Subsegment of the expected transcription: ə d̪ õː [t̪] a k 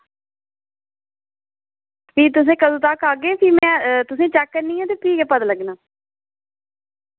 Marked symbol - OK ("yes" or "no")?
yes